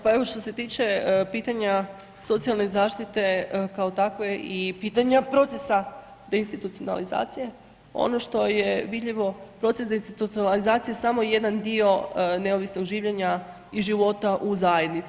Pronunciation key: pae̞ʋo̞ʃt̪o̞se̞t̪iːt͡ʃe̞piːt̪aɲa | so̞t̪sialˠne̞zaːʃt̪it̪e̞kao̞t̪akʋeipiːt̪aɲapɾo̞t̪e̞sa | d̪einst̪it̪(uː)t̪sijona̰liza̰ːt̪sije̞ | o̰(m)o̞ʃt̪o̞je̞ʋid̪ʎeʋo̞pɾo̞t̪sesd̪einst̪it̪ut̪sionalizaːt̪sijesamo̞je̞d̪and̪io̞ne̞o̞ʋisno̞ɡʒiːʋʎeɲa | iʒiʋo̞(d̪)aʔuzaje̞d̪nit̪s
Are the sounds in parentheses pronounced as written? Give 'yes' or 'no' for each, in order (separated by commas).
no, no, no